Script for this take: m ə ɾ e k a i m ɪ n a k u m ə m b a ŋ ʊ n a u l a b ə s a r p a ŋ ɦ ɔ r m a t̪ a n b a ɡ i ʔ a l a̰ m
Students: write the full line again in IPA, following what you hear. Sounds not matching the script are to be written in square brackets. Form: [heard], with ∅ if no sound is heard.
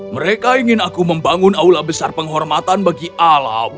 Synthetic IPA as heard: m ə ɾ e k a i [ŋ] ɪ n a k u m ə m b a ŋ ʊ n a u l a b ə s a r p [ə] ŋ ɦ ɔ r m a t̪ a n b a ɡ i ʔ a l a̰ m